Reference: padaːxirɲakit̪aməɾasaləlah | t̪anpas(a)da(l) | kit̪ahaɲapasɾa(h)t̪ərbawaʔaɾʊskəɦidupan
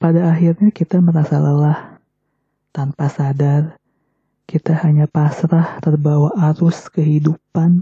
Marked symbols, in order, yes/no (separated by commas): yes, no, yes